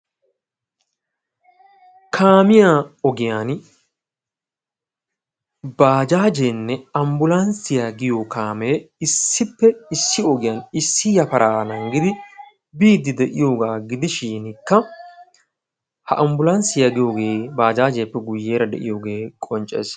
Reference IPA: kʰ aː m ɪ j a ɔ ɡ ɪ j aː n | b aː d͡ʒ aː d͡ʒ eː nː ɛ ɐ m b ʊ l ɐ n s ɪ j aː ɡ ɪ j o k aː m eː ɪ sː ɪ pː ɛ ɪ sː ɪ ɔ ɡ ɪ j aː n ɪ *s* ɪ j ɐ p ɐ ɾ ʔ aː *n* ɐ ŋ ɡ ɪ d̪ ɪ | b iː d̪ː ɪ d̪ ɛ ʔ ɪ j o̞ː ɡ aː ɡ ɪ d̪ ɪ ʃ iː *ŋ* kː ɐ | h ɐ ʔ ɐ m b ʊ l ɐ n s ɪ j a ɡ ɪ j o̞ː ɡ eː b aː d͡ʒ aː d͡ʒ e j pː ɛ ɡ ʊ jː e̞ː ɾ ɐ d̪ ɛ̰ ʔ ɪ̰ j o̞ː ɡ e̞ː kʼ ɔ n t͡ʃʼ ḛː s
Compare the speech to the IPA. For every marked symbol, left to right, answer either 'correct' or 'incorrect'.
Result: incorrect: sː, correct, incorrect: n

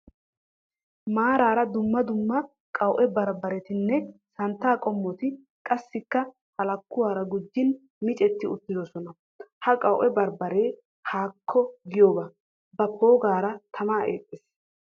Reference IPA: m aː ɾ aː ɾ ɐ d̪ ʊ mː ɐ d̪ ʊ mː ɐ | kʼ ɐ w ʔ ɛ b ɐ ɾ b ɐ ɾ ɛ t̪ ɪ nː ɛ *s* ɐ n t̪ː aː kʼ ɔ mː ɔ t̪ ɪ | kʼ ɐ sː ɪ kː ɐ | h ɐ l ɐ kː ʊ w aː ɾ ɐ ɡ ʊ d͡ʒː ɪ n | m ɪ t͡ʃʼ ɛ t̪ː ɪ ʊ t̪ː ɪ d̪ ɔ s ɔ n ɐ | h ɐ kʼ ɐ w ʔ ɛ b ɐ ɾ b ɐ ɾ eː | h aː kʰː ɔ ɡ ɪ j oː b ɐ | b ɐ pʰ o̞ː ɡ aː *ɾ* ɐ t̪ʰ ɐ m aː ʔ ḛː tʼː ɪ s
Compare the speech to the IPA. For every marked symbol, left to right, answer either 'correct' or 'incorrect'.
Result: correct, correct

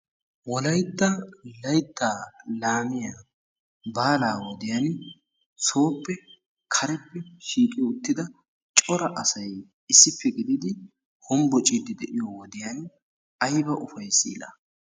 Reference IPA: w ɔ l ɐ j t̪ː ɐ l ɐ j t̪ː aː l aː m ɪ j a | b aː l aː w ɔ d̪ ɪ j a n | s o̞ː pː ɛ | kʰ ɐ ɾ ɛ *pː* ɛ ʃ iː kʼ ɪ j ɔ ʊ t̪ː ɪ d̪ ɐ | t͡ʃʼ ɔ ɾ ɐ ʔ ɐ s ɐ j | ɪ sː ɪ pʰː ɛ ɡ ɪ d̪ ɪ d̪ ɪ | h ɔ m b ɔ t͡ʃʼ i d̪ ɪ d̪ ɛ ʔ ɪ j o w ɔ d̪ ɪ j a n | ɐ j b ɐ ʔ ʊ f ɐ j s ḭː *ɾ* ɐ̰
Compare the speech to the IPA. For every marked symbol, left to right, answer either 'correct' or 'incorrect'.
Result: correct, incorrect: l

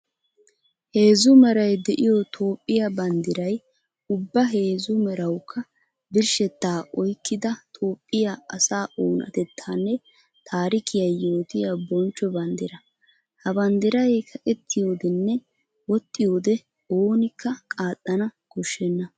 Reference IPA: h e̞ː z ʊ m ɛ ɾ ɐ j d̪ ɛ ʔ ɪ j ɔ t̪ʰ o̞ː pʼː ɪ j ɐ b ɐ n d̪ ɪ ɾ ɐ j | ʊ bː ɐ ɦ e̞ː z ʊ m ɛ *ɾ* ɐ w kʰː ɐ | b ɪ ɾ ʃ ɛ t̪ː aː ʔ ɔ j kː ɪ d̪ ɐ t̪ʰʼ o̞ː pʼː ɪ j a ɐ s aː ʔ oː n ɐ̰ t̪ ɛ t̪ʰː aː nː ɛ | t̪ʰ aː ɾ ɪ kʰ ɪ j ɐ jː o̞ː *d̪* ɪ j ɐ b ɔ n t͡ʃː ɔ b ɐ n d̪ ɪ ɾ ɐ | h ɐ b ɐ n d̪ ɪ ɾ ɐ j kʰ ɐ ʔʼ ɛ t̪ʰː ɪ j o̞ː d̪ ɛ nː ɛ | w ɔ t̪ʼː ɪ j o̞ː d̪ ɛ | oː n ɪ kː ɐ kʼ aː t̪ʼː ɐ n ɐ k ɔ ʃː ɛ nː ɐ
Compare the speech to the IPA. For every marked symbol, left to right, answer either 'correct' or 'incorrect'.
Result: correct, incorrect: t̪

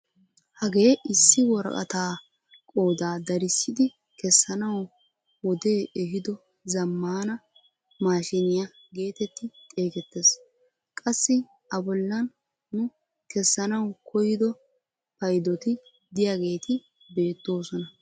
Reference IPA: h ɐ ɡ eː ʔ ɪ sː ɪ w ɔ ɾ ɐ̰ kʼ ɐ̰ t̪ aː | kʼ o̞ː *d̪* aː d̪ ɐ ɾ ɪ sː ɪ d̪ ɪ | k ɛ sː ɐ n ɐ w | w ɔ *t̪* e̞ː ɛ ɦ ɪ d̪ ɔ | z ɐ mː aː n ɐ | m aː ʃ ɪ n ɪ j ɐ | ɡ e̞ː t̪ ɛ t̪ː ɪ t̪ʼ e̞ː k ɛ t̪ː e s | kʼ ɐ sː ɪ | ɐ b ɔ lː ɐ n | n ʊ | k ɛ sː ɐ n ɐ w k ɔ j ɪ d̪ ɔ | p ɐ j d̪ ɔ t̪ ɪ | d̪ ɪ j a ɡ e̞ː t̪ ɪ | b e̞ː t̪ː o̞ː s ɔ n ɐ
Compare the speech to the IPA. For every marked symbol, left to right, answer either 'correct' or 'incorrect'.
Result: correct, incorrect: d̪

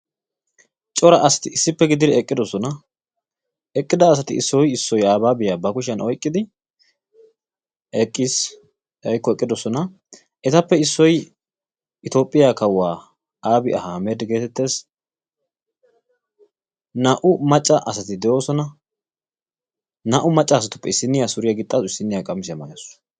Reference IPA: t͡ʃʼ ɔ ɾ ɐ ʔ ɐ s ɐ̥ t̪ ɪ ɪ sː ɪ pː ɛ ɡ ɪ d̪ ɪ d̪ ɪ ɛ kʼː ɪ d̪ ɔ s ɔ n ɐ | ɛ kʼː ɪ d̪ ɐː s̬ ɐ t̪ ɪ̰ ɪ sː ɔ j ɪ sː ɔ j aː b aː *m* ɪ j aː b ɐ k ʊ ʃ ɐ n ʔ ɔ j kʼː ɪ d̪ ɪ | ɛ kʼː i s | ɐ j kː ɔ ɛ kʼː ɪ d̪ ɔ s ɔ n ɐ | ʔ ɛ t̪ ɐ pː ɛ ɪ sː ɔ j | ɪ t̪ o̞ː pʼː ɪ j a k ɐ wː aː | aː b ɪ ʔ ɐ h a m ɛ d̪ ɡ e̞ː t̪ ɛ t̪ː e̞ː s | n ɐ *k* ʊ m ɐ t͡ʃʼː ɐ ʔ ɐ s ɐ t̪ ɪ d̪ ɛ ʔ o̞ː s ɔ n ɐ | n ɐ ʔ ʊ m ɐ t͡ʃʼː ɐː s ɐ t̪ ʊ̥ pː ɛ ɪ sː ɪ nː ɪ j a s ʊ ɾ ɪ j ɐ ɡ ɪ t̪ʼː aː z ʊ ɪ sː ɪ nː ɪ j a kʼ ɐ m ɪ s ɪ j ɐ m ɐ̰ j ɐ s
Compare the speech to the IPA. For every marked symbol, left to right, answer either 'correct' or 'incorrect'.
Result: incorrect: b, incorrect: ʔ

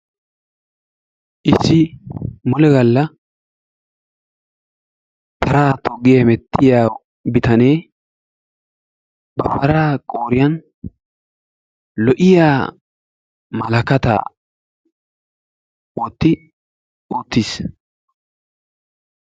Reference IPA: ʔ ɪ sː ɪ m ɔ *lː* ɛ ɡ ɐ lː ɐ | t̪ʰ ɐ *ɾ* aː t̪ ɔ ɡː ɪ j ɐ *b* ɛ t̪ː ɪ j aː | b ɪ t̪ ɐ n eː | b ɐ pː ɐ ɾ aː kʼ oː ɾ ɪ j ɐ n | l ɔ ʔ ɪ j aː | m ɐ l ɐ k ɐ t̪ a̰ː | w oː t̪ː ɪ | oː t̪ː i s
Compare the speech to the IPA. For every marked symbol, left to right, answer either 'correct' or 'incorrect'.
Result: incorrect: l, correct, incorrect: m

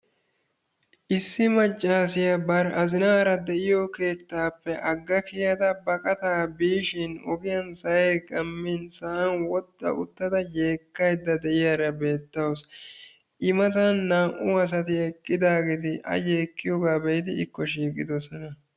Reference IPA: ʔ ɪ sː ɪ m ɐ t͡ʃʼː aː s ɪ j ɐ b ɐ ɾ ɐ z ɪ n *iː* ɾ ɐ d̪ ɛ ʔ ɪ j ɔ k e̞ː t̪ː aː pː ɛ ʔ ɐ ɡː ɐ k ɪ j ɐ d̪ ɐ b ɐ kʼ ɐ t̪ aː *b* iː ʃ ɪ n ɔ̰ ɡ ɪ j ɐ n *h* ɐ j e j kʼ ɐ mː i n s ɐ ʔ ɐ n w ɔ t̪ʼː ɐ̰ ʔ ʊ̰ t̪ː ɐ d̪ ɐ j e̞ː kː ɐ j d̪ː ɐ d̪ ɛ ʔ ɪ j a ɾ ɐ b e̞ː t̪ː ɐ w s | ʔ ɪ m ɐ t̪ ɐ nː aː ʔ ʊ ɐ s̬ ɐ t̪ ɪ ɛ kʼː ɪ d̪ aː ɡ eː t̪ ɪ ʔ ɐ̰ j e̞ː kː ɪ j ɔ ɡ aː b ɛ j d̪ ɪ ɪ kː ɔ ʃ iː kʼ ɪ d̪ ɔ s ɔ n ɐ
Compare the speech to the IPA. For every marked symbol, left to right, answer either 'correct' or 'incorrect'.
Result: incorrect: aː, correct, incorrect: s

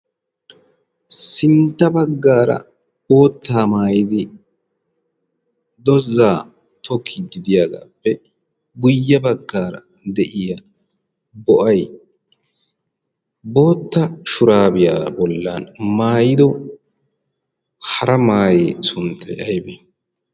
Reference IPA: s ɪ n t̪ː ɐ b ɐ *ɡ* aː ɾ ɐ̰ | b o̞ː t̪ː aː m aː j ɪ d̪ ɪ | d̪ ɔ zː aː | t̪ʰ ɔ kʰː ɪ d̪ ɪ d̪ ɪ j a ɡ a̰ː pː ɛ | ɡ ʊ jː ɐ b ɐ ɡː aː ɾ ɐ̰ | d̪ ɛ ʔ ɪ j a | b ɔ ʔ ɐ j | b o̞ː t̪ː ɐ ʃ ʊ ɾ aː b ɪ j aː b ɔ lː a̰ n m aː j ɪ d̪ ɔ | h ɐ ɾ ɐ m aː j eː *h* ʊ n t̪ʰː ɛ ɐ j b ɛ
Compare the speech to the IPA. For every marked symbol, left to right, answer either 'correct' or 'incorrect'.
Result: incorrect: ɡː, incorrect: s

